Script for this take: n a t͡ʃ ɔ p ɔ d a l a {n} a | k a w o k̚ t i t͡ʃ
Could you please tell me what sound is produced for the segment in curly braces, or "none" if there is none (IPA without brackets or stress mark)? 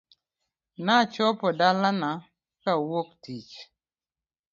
n